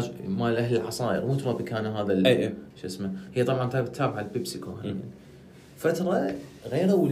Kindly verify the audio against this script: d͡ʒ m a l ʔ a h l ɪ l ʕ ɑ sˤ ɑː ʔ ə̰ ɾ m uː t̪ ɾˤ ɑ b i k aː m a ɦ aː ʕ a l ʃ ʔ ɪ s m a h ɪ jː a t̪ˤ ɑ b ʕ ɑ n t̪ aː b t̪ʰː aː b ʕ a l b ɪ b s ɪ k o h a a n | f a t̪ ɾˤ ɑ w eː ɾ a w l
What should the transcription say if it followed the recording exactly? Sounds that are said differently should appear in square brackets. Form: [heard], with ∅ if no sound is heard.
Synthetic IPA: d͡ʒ m a l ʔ a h l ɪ l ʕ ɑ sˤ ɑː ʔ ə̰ ɾ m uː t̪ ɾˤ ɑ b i k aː [n] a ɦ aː [ð] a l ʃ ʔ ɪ s m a h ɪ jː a t̪ˤ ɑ b ʕ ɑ n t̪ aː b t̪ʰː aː b ʕ a l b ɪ b s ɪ k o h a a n | f a t̪ ɾˤ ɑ [ɣ] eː ɾ a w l